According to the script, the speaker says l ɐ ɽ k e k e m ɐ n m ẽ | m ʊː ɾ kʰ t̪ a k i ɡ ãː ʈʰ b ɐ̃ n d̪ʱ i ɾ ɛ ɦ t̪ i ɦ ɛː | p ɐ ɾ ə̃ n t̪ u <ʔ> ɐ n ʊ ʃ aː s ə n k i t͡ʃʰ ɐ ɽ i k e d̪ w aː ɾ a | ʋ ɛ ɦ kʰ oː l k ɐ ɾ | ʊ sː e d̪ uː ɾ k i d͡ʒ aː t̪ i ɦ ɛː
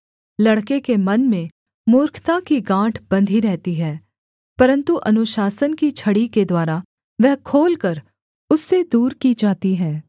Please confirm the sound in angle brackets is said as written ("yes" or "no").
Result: yes